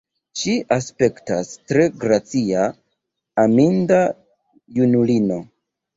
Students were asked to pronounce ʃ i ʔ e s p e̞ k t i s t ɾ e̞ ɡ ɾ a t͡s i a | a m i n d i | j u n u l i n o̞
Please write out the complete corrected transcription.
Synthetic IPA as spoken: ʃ i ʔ a s p e̞ k t a s t ɾ e̞ ɡ ɾ a t͡s i a | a m i n d a | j u n u l i n o̞